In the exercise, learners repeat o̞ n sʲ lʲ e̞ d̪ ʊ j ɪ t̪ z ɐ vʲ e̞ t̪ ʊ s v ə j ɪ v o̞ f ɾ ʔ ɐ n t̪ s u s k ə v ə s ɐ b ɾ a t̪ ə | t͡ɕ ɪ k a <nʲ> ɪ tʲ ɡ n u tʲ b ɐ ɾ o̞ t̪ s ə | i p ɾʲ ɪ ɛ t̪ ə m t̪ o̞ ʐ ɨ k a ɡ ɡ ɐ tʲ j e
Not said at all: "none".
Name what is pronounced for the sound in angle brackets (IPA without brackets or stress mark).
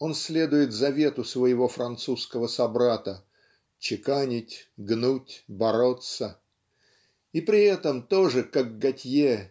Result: nʲ